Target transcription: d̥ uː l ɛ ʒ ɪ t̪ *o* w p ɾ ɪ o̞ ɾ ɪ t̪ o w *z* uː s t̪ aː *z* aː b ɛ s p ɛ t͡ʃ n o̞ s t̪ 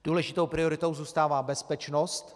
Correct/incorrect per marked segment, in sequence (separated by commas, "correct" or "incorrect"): correct, correct, incorrect